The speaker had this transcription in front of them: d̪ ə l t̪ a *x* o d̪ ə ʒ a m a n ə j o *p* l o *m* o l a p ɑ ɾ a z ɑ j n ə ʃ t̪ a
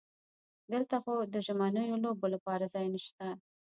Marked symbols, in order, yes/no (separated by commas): yes, no, no